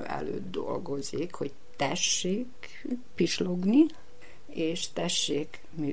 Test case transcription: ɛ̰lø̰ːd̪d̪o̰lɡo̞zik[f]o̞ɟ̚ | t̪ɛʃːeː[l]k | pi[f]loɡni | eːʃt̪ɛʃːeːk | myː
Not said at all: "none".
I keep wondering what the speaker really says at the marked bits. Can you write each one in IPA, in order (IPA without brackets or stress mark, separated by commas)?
h, none, ʃ